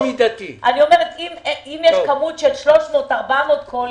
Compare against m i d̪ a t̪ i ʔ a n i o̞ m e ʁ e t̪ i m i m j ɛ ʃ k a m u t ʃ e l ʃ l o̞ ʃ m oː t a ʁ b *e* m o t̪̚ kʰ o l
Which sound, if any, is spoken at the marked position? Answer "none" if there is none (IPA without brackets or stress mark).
a